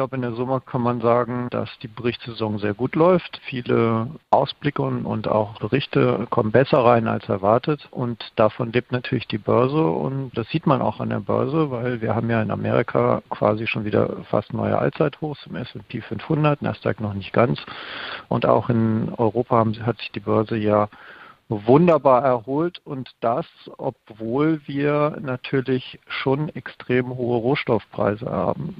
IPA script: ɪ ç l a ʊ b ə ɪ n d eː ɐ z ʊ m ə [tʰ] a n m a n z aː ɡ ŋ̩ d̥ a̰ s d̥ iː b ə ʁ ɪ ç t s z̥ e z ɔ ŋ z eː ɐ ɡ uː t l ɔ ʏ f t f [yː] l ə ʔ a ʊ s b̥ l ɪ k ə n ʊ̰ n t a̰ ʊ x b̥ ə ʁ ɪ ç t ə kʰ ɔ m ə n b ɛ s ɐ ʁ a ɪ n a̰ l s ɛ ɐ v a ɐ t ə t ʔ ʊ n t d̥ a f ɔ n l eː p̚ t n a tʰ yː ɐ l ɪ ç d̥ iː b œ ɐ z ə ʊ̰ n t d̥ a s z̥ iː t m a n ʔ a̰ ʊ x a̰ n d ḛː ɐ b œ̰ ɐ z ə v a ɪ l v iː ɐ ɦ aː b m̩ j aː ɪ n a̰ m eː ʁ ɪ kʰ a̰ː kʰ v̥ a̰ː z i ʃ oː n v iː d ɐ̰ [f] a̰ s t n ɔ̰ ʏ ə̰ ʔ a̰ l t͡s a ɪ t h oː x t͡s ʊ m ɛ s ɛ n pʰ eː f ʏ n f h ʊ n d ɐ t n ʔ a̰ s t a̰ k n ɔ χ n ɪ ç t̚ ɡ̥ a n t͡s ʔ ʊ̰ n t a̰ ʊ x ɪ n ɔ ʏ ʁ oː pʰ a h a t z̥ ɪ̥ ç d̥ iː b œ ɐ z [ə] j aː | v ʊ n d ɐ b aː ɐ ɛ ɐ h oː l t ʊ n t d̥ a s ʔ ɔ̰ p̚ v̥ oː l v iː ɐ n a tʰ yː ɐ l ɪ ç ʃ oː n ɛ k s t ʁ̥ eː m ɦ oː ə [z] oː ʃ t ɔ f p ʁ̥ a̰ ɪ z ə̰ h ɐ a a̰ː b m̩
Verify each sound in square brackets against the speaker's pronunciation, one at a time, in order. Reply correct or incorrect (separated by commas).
incorrect, incorrect, correct, correct, incorrect